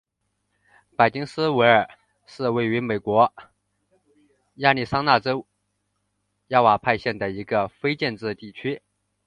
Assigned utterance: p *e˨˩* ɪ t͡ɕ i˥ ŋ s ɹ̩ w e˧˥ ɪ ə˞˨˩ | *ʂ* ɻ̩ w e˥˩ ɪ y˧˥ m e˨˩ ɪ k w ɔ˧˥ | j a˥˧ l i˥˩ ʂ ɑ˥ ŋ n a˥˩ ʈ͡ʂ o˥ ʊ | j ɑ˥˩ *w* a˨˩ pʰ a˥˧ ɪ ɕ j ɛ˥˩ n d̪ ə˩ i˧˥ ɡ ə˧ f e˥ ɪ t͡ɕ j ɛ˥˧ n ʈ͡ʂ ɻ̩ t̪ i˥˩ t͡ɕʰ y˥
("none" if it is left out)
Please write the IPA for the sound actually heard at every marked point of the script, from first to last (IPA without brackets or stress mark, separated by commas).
a˨˩, ʂ, w